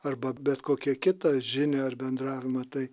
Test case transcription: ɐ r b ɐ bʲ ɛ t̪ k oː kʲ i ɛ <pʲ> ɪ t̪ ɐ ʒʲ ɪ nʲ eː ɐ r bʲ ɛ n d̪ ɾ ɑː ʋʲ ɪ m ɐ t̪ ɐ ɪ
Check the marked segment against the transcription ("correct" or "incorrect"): incorrect